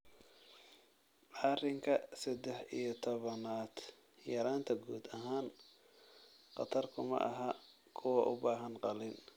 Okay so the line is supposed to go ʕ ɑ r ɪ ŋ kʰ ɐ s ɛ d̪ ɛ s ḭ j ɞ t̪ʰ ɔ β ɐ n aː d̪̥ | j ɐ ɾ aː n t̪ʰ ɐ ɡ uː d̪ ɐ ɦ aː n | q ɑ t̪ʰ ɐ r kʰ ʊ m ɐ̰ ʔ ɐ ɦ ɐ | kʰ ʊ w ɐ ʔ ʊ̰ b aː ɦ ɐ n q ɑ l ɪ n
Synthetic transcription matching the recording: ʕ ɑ r ɪ ŋ kʰ ɐ s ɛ d̪ ɛ ħ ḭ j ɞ t̪ʰ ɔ β ɐ n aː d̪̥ | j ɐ ɾ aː n t̪ʰ ɐ ɡ uː d̪ ɐ ɦ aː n | q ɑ t̪ʰ ɐ r kʰ ʊ m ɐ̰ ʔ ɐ ɦ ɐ | kʰ ʊ w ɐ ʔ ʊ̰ b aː ɦ ɐ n q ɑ l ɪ n